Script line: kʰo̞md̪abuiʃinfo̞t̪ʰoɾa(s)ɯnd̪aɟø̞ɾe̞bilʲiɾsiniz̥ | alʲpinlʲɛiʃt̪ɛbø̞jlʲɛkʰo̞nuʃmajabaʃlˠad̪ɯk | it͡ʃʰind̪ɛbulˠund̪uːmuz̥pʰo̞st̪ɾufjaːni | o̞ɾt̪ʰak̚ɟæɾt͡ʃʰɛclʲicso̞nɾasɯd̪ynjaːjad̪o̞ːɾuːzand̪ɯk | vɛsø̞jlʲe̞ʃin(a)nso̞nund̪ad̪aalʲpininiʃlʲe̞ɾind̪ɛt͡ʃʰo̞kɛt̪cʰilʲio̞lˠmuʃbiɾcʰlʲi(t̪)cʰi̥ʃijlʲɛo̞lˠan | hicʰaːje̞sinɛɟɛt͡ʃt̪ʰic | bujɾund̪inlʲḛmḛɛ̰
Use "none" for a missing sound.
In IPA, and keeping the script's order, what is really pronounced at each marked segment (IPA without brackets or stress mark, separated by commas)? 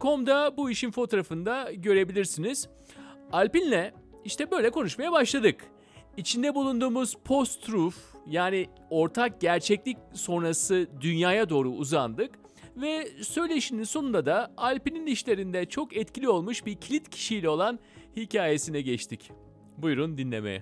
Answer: f, i, t̪